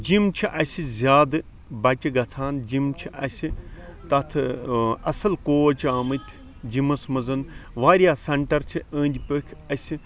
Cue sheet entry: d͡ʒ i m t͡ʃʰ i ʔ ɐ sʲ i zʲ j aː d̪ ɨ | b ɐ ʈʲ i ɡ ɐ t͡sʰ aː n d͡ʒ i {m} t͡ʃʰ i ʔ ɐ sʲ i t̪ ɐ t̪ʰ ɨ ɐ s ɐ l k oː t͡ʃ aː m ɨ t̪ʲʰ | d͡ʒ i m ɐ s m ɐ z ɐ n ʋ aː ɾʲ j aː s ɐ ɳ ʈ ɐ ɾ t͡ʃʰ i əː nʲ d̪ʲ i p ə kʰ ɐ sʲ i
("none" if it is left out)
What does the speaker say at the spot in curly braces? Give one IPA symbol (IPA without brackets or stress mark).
m